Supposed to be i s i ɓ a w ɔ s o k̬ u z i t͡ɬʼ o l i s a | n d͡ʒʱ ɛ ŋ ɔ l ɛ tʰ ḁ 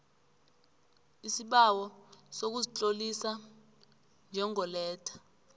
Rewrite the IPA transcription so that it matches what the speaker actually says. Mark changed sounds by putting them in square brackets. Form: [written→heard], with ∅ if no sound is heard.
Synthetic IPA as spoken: i s i ɓ a w ɔ s o k̬ u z i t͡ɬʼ o l i s a | n d͡ʒʱ ɛ ŋ ɔ l [ɛ→ɛː] tʰ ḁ